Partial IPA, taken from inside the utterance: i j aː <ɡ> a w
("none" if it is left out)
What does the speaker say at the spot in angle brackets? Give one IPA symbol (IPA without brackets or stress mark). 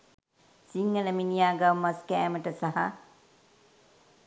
ɡ